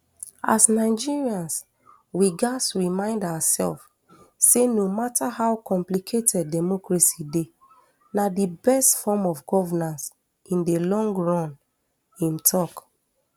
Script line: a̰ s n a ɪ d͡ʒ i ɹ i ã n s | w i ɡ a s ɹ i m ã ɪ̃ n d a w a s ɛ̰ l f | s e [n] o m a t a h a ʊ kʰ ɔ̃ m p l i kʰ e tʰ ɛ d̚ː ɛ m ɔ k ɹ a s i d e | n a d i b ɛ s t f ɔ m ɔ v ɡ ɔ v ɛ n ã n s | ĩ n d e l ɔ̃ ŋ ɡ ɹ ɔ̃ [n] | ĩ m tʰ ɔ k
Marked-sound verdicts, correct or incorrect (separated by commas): correct, correct